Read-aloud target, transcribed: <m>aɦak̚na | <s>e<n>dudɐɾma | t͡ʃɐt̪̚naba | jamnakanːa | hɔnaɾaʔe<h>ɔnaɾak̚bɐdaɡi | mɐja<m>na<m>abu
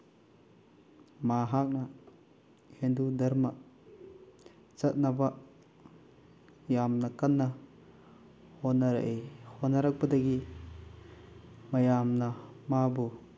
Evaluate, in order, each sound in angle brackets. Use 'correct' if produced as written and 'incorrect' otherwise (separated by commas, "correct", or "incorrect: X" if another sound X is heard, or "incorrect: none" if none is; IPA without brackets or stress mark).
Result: correct, incorrect: h, correct, correct, correct, correct